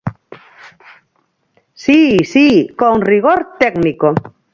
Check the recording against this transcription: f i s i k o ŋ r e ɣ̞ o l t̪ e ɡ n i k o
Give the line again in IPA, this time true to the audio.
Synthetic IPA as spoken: s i s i k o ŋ r i ɣ̞ o ɾ t̪ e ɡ n i k o